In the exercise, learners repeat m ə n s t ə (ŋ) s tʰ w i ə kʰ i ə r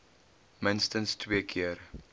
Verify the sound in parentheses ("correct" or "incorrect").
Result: incorrect